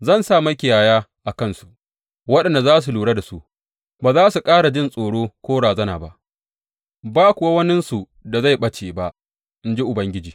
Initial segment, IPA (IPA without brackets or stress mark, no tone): z